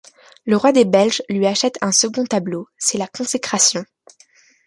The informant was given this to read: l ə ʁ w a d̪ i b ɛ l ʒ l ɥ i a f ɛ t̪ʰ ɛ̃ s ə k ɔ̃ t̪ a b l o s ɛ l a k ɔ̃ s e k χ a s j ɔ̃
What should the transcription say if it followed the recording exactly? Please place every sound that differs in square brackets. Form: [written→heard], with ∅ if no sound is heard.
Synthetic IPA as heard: l ə ʁ w a d̪ [i→e] b ɛ l ʒ l ɥ i a [f→ʃ] ɛ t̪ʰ ɛ̃ s ə [k→ɡ] ɔ̃ t̪ a b l o s ɛ l a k ɔ̃ s e k χ a s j ɔ̃